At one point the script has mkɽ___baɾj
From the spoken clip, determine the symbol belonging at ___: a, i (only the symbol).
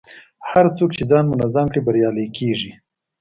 i